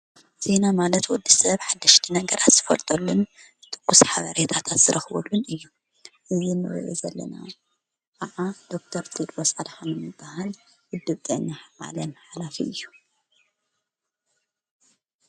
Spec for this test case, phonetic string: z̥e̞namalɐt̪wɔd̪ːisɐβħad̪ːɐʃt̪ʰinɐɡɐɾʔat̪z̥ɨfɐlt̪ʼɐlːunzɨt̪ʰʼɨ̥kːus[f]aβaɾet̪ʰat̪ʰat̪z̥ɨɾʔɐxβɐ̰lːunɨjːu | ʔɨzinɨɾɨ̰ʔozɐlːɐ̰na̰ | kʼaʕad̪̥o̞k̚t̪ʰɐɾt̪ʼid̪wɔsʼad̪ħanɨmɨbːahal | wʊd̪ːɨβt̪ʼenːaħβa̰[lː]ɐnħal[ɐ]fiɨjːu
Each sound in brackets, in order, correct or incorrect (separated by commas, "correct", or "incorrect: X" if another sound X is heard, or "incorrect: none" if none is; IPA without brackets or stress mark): incorrect: ħ, incorrect: l, incorrect: a